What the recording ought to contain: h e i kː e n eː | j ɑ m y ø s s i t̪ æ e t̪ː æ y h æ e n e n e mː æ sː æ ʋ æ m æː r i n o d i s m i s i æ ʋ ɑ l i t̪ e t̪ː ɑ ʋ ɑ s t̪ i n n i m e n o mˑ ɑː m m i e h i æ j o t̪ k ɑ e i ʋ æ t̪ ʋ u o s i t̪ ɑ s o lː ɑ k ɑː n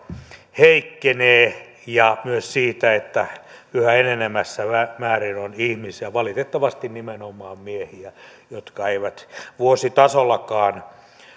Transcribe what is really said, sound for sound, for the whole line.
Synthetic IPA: h e i kː e n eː | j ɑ m y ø s s iː t̪ æ e t̪ː æ y h æ e n e n e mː æ sː æ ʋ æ m æː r i n o n i h m i s i æ ʋ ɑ l i t̪ e t̪ː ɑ ʋ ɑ s t̪ i n n i m e n o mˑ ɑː m m i e h i æ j o t̪ k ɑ e i ʋ æ t̪ ʋ u o s i t̪ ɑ s o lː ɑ k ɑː n